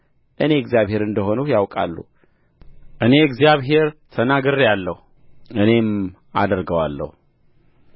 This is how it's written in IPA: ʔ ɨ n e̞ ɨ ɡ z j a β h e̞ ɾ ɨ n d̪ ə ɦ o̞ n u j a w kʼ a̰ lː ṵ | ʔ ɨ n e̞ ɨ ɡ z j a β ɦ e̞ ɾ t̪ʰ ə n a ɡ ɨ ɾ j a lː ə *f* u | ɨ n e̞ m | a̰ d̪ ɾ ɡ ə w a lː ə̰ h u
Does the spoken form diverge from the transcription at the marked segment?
yes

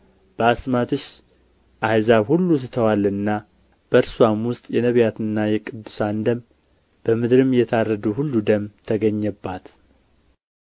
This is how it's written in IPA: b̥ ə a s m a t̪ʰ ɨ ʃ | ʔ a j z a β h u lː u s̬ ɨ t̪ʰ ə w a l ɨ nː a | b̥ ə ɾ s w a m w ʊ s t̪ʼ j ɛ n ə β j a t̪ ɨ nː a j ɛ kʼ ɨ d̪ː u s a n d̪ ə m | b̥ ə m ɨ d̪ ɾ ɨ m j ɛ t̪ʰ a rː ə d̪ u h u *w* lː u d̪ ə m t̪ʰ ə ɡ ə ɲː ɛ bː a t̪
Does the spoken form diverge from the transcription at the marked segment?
yes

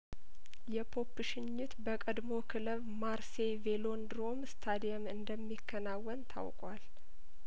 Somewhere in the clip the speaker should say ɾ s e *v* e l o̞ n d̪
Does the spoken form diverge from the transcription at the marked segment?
no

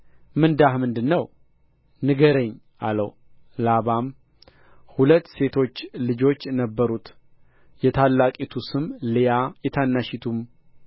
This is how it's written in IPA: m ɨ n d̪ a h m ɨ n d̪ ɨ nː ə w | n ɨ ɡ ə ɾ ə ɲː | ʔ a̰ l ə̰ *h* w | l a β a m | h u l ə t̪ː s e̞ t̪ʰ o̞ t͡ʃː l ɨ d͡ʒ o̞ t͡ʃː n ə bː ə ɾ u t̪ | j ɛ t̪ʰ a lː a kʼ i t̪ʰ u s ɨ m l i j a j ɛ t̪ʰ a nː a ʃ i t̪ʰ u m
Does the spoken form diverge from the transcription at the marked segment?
yes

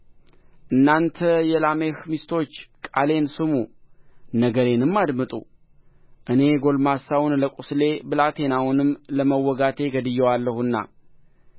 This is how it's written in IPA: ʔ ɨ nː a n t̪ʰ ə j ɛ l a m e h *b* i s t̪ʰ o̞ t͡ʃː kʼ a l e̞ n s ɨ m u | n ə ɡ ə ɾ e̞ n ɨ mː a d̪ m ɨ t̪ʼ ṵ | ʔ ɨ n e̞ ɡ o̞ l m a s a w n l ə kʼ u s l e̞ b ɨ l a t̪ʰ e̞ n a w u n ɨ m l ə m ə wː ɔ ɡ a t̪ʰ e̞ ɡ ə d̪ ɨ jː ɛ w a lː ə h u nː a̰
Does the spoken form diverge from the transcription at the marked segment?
yes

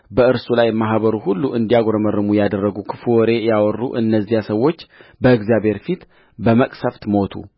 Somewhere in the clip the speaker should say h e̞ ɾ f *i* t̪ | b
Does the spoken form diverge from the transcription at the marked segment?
no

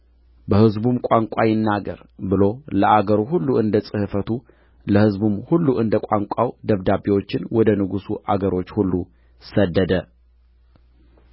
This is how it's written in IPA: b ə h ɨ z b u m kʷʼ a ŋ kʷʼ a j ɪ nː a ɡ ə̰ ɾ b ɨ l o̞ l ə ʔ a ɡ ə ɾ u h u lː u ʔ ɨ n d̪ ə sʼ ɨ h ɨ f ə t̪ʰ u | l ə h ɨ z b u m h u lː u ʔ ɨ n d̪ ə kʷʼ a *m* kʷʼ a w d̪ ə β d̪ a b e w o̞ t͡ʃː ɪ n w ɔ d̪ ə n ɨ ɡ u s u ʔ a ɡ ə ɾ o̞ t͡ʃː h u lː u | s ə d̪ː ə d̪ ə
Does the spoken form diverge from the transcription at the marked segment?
yes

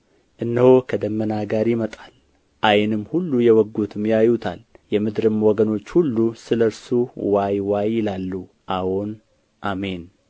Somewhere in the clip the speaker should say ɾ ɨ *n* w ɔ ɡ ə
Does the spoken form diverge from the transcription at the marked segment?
yes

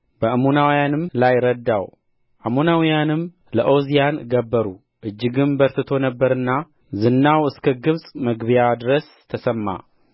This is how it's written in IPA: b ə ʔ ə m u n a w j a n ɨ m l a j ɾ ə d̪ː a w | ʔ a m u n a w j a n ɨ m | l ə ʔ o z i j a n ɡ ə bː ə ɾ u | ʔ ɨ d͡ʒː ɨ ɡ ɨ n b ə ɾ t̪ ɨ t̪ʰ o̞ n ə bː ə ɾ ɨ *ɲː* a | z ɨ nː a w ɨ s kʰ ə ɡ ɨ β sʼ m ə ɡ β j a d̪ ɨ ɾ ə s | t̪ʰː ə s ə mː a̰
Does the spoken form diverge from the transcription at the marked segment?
yes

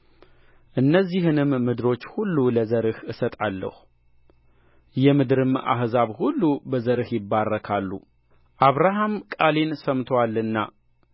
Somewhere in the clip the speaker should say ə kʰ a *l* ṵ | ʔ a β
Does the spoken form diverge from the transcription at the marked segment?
yes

